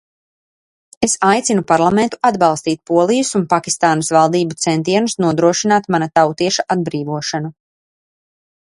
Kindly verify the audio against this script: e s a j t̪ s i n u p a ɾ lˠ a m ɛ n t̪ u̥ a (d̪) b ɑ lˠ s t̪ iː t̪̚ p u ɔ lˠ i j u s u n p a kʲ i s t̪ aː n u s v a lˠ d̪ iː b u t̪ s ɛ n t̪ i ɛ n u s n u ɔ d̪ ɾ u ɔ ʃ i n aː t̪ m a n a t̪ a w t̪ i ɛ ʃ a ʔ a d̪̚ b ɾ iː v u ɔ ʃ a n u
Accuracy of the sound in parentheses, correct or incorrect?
correct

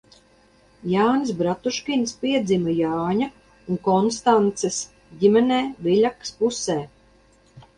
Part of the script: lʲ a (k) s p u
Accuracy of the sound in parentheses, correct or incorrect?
correct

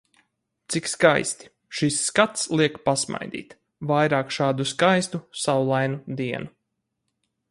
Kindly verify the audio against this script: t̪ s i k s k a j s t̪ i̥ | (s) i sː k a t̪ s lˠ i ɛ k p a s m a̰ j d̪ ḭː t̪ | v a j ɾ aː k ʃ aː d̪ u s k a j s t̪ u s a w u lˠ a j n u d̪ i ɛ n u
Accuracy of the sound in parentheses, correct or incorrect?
incorrect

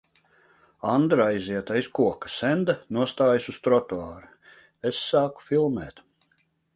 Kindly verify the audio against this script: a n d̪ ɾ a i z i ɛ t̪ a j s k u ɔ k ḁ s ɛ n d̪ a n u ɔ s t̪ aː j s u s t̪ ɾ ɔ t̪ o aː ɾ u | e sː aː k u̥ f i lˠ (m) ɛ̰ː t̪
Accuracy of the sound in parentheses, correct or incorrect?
correct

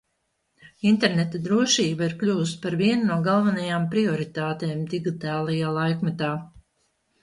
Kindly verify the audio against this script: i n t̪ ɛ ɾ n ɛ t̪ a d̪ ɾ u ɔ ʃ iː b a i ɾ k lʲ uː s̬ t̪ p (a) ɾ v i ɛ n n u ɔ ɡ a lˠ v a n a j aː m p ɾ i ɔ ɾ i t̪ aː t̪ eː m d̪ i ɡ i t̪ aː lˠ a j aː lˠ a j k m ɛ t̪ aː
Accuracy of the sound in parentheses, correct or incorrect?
correct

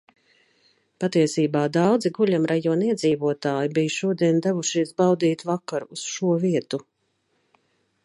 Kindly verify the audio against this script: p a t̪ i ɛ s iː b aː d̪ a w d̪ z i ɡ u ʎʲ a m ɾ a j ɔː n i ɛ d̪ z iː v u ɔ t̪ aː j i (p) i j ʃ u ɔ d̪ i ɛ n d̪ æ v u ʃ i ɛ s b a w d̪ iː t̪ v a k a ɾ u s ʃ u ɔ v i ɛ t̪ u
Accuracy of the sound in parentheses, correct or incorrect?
incorrect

